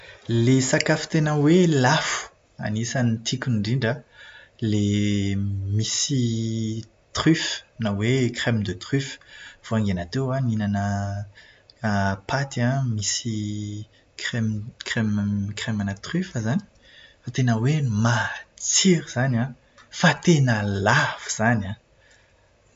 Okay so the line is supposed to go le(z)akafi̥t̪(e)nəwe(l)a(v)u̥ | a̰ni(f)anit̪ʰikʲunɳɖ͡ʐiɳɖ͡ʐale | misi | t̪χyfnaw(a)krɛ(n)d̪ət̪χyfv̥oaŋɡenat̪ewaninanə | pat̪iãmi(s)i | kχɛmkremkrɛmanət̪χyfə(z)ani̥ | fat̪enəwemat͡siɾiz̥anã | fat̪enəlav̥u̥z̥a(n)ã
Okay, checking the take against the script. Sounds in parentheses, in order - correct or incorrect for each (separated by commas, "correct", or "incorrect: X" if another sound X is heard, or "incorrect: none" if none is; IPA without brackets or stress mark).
incorrect: s, correct, correct, incorrect: f, incorrect: s, incorrect: e, incorrect: m, correct, correct, correct